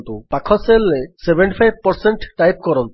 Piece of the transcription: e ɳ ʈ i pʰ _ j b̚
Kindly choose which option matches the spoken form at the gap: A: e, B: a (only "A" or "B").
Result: B